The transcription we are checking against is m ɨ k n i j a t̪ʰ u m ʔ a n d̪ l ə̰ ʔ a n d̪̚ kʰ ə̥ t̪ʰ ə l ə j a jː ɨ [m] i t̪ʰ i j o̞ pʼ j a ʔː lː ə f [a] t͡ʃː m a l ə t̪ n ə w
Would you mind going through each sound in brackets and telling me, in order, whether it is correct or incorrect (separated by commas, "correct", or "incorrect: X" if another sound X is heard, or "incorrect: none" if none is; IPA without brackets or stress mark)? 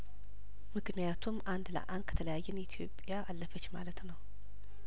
incorrect: n, incorrect: ə